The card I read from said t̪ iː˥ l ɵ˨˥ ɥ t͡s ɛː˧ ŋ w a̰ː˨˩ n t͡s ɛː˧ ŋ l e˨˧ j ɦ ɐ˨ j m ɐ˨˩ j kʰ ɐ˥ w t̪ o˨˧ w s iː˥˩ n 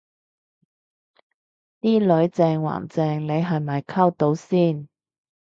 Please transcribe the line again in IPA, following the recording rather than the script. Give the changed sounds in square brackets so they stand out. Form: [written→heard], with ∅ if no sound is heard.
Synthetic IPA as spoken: t̪ iː˥ l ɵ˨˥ ɥ t͡s ɛː˧ ŋ w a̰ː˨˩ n t͡s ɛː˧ ŋ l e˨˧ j ɦ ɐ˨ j m ɐ˨˩ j kʰ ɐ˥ w t̪ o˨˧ w s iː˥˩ n